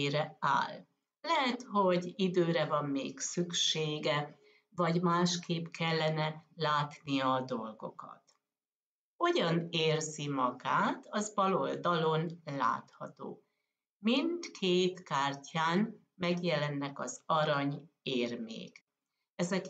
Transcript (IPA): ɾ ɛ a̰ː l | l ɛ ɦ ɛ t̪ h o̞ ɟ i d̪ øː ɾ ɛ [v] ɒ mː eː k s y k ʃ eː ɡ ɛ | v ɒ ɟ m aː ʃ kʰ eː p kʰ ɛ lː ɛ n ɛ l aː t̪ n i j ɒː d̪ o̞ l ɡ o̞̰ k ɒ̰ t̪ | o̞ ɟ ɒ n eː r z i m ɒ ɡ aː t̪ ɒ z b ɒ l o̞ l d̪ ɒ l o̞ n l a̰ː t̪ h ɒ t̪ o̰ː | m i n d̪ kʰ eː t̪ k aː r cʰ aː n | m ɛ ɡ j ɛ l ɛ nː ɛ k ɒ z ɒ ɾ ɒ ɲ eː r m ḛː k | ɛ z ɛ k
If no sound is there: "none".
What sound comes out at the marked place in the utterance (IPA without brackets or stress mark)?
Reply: v